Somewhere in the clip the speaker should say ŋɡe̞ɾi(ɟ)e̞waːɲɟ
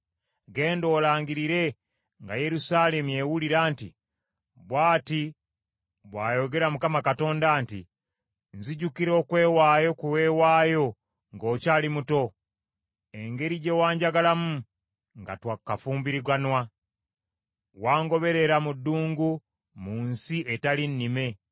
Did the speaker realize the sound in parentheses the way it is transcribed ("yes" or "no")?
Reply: yes